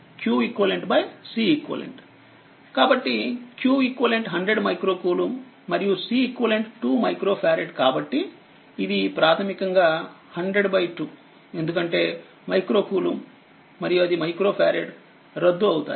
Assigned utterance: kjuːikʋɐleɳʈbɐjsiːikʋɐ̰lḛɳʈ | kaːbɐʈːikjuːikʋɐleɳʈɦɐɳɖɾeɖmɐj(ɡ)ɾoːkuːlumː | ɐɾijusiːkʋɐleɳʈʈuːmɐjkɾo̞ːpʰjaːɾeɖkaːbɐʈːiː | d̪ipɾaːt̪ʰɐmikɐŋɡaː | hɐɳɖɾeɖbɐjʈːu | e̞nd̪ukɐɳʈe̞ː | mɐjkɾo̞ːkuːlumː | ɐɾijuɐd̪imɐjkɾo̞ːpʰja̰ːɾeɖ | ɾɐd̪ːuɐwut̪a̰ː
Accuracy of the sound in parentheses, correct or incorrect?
incorrect